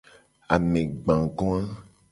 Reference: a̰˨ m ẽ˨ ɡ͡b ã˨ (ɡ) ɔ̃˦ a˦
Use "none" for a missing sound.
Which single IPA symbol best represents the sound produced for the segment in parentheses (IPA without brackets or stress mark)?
ɡ